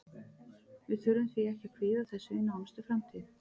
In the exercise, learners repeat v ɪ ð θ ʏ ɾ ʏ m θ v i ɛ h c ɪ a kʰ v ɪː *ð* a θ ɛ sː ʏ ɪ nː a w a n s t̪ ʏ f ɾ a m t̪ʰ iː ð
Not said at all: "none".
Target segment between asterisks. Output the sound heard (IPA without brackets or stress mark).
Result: ð